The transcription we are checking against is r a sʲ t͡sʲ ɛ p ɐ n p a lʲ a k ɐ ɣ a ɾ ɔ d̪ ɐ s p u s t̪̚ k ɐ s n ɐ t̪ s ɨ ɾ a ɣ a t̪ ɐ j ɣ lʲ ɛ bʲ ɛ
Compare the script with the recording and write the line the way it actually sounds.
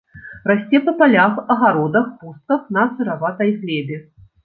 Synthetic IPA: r a sʲ t͡sʲ ɛ p ɐ p a lʲ a x ɐ ɣ a ɾ ɔ d̪ ɐ x p u s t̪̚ k ɐ x n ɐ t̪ s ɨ ɾ a v a t̪ ɐ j ɣ lʲ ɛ bʲ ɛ